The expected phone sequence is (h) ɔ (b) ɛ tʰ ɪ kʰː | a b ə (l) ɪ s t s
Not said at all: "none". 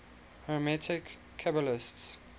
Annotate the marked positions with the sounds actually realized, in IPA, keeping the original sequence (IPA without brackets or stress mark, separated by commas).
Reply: h, m, l